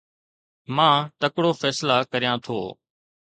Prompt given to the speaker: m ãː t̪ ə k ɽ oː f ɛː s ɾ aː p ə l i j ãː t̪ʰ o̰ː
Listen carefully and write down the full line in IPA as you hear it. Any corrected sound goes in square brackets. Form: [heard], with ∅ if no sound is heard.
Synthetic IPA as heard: m ãː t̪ ə k ɽ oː f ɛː s [l] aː [k] ə [ɾ] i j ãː t̪ʰ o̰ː